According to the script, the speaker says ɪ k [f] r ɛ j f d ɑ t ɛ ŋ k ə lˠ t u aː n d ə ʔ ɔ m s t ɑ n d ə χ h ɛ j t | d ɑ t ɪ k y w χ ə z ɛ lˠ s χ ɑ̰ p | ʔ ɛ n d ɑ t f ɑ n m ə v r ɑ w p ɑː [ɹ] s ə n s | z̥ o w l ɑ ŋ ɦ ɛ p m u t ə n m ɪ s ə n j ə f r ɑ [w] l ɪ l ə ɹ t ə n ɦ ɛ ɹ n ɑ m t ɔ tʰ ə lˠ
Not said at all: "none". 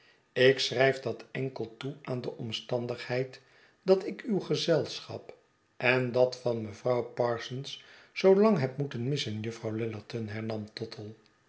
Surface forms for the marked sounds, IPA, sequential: s, ɹ, w

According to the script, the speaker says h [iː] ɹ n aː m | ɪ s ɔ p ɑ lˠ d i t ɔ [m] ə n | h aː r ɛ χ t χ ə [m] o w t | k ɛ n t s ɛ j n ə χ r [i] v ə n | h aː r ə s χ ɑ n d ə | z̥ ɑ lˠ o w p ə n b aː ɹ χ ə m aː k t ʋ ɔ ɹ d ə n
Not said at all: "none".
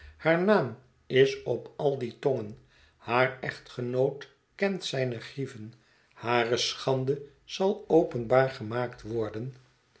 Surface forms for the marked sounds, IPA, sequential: aː, ŋ, n, i

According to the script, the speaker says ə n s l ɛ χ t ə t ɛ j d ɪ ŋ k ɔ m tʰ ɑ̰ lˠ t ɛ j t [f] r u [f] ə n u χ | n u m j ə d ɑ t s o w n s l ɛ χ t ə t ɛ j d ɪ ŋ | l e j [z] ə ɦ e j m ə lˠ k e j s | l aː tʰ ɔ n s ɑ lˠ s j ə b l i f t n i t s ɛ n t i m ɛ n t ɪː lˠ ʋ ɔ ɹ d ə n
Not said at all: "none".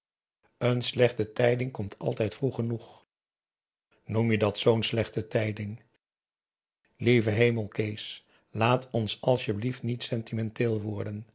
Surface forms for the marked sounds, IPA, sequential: f, χ, v

